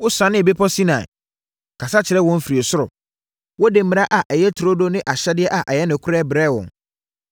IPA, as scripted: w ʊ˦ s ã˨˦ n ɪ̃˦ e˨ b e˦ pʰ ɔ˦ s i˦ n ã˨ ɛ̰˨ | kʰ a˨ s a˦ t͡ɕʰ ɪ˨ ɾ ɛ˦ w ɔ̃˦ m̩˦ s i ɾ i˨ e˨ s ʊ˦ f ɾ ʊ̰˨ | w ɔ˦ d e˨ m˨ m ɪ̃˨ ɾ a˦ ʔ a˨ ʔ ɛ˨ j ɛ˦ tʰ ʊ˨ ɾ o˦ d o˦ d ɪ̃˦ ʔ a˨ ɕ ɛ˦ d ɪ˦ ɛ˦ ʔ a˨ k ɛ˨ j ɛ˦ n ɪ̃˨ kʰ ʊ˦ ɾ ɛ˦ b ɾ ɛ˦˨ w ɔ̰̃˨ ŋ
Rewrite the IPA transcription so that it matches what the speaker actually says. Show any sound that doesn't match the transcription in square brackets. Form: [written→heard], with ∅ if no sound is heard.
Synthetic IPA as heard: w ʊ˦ s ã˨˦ n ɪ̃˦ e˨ b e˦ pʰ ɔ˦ s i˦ n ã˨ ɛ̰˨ | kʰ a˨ s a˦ t͡ɕʰ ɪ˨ ɾ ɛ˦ w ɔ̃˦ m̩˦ [s→f] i ɾ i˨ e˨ s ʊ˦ [f→∅] ɾ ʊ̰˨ | w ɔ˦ d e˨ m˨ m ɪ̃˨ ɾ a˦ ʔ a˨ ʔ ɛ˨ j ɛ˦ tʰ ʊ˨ ɾ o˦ d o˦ [d→n] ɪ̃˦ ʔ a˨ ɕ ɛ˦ d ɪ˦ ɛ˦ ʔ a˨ [k→ʔ] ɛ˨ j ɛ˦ n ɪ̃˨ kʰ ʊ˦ ɾ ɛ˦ b ɾ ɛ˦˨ w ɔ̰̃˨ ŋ